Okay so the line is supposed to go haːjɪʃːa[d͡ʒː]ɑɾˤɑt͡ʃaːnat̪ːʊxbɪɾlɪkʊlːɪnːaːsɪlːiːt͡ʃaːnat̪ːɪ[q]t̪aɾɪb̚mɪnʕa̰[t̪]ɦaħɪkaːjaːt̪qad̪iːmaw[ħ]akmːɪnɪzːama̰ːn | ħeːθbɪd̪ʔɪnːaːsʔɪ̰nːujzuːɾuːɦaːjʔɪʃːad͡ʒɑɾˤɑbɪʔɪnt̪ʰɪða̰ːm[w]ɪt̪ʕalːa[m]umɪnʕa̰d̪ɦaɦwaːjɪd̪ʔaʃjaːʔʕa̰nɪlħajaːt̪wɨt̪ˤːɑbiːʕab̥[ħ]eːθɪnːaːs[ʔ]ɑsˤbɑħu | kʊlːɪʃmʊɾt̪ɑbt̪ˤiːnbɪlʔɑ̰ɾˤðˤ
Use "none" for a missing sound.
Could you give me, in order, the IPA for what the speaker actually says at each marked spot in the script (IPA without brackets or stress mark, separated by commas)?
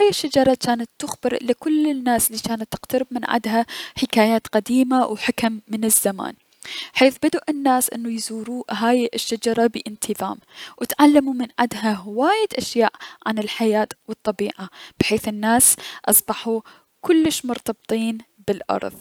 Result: d͡ʒ, q, d̪, ħ, w, m, ħ, ʔ